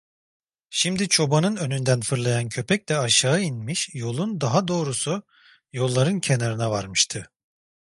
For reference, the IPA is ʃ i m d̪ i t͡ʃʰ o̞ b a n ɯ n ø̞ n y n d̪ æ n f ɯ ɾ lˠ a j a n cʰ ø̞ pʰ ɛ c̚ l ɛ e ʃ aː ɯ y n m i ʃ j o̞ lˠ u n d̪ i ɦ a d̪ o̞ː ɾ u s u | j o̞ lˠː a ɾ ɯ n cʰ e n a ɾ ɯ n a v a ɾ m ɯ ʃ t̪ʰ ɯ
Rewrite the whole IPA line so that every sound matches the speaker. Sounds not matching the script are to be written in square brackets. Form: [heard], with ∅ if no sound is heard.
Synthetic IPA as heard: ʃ i m d̪ i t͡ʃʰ o̞ b a n ɯ n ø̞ n y n d̪ æ n f ɯ ɾ lˠ a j a n cʰ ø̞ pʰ ɛ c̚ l ɛ [a] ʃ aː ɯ [i] n m i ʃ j o̞ lˠ u n d̪ [a] ɦ a d̪ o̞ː ɾ u s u | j o̞ lˠː a ɾ ɯ n cʰ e n a ɾ ɯ n a v a ɾ m ɯ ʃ t̪ʰ ɯ